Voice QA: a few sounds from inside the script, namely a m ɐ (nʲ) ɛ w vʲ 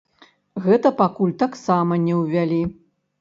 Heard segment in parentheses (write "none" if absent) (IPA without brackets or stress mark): nʲ